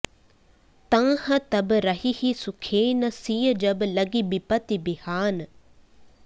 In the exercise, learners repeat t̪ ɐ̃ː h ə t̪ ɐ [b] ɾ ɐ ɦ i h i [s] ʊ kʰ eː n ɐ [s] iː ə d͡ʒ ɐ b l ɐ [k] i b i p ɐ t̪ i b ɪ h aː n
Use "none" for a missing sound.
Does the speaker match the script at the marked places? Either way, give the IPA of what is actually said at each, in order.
b, s, s, ɡ

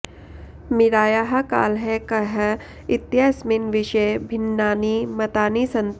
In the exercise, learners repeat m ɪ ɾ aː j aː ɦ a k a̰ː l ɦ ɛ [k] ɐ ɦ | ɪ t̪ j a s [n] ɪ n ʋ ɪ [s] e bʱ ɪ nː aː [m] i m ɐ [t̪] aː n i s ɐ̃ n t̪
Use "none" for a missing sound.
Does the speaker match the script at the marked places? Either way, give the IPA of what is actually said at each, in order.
k, m, ʃ, n, t̪

